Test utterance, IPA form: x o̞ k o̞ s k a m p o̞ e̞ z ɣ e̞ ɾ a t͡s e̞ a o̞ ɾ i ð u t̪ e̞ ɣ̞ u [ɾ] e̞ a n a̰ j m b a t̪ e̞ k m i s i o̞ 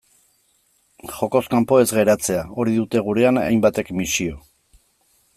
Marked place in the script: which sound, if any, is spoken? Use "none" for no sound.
ɾ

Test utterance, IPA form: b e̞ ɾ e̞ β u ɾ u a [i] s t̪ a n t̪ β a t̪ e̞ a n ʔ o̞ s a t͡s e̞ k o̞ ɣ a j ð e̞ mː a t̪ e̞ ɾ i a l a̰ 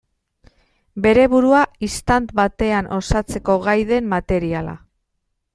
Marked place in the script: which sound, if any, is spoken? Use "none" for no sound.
i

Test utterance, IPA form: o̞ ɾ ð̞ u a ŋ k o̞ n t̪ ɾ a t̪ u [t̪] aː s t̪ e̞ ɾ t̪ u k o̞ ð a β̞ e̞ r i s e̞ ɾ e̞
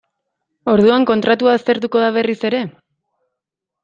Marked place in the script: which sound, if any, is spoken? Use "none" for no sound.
none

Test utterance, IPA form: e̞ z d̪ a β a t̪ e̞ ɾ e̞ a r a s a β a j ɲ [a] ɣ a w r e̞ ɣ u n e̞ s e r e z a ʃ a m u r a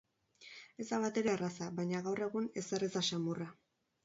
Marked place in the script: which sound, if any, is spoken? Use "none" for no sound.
a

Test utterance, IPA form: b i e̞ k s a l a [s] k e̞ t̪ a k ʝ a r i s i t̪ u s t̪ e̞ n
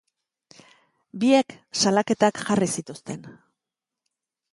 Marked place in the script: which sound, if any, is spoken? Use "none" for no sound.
none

